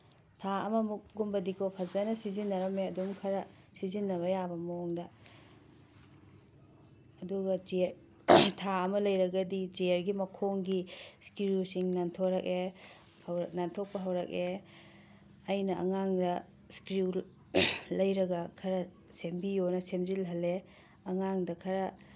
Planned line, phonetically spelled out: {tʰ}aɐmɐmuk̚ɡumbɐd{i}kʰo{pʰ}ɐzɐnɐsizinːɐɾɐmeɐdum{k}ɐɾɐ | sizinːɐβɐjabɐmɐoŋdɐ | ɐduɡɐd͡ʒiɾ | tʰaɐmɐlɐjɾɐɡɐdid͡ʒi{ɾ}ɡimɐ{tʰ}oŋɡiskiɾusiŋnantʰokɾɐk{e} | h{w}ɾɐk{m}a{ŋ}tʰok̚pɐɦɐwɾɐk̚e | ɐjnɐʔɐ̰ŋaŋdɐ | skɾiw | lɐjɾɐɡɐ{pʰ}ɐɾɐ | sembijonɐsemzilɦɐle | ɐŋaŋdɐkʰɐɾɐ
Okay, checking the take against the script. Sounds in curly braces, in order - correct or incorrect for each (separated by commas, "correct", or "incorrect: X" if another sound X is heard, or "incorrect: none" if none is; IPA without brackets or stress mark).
correct, correct, correct, incorrect: kʰ, correct, incorrect: kʰ, correct, correct, incorrect: n, incorrect: n, incorrect: kʰ